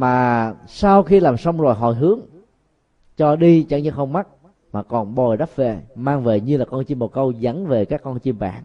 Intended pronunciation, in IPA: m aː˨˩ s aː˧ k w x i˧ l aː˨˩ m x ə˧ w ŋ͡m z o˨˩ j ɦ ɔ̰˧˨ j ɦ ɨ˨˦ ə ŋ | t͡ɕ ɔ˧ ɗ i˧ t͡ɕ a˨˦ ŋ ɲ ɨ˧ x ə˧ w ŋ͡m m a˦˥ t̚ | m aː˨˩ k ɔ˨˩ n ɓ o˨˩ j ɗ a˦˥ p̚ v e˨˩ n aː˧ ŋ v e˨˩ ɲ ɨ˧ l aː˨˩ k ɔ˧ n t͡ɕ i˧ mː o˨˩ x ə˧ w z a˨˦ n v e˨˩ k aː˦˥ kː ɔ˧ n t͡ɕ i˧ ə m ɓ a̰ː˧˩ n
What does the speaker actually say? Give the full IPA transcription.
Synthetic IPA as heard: m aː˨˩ s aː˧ w x i˧ l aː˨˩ m s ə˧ w ŋ͡m z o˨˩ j ɦ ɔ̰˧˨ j ɦ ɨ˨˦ ə ŋ | t͡ɕ ɔ˧ ɗ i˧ t͡ɕ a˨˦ ŋ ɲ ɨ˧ x ə˧ w ŋ͡m m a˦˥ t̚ | m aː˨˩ k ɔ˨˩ n ɓ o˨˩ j ɗ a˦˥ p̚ v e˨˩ m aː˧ ŋ v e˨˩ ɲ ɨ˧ l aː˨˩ k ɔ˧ n t͡ɕ i˧ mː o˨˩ k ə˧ w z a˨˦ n v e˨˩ k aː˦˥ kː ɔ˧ n t͡ɕ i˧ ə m ɓ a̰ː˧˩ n